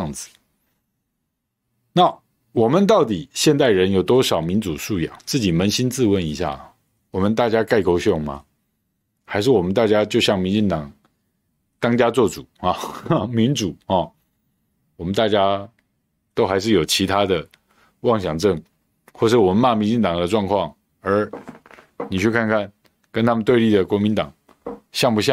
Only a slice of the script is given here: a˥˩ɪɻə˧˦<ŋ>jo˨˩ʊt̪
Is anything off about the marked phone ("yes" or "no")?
yes